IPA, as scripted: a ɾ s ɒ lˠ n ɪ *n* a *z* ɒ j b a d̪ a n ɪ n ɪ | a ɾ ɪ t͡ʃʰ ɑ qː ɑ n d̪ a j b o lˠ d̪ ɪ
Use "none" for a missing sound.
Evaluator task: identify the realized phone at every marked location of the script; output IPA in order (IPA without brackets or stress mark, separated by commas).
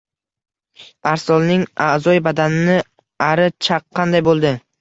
ŋ, z